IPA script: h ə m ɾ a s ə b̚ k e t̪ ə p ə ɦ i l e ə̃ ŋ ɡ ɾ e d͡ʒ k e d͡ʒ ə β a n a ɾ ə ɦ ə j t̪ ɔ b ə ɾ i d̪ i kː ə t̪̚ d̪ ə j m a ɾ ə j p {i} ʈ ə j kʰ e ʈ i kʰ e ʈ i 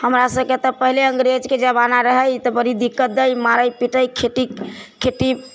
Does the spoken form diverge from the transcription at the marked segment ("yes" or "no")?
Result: no